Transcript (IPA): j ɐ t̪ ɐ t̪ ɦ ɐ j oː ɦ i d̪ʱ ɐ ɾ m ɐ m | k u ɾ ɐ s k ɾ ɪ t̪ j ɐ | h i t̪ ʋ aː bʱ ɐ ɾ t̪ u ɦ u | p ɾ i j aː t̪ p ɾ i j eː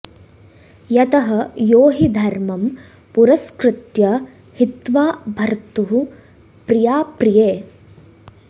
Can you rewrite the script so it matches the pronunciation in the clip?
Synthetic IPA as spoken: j ɐ t̪ ɐ ɦ ɐ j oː ɦ i d̪ʱ ɐ ɾ m ɐ m | p u ɾ ɐ s k ɾ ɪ t̪ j ɐ | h i t̪ ʋ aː bʱ ɐ ɾ t̪ u ɦ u | p ɾ i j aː p ɾ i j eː